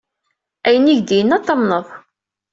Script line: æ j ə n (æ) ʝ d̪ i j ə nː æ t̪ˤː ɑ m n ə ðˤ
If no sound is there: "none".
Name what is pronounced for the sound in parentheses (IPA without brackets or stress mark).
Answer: i